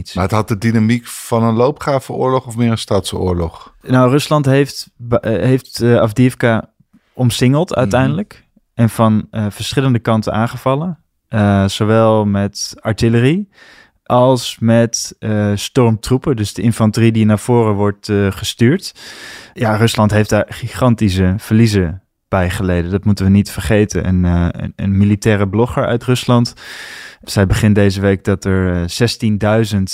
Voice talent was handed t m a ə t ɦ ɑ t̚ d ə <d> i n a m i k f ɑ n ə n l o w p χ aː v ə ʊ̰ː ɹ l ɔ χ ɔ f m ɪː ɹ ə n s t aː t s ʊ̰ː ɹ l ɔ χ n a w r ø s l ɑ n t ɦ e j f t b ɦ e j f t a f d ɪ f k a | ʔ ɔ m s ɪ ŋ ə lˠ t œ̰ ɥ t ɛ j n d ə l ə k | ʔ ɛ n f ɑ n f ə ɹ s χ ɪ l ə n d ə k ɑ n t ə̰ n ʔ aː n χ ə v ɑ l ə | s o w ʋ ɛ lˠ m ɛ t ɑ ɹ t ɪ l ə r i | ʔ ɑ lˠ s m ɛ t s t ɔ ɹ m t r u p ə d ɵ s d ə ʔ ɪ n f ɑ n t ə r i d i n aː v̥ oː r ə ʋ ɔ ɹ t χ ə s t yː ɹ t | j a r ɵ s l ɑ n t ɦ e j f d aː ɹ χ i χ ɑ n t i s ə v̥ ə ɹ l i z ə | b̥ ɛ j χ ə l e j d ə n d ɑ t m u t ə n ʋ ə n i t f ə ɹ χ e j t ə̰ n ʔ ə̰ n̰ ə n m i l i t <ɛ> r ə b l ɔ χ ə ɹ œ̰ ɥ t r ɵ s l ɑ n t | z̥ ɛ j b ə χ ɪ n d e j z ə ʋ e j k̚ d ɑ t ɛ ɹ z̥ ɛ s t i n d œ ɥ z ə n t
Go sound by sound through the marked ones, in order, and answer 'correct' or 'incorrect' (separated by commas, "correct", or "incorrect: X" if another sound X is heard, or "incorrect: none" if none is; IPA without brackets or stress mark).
correct, incorrect: ɛː